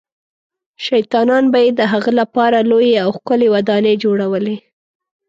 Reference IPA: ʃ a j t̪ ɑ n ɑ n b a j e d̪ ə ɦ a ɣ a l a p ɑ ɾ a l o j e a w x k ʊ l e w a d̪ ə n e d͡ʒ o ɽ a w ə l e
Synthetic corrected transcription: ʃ a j t̪ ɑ n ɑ n b a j e d̪ ə ɦ a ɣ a l a p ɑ ɾ a l o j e a w x k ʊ l e w a d̪ ɑ n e d͡ʒ o ɽ a w ə l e